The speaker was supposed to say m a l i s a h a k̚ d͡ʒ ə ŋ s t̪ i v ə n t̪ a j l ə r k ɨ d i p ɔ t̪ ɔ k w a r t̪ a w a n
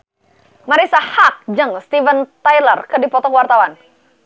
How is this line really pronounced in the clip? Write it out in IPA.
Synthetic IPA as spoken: m a ɾ i s a h a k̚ d͡ʒ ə ŋ s t̪ i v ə n t̪ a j l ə r k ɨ d i p ɔ t̪ ɔ k w a r t̪ a w a n